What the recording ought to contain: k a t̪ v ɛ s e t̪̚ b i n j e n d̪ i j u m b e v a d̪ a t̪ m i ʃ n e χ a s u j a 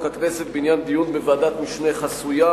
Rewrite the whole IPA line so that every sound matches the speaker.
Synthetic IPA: k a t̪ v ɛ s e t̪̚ b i n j a n d̪ i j u n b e v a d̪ a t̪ m i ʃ n e χ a s u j a